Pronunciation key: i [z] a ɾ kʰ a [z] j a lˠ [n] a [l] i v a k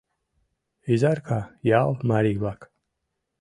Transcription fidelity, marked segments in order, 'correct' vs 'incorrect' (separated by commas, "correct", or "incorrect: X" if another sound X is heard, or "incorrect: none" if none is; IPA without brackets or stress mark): correct, incorrect: none, incorrect: m, incorrect: ɾ